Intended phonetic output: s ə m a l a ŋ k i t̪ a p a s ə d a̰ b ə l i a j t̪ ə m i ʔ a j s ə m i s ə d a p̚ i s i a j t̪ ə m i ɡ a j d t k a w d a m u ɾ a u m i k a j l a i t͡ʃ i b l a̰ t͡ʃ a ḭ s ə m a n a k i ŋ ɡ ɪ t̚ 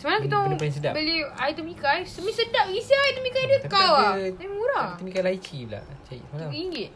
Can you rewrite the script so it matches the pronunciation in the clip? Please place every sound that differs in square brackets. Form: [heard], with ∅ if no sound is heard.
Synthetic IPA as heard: s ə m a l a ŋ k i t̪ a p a s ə d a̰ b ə l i a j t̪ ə m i [k] a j s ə m i s ə d a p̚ i s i a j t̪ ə m i [k] a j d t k a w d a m u ɾ a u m i k a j l a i t͡ʃ i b l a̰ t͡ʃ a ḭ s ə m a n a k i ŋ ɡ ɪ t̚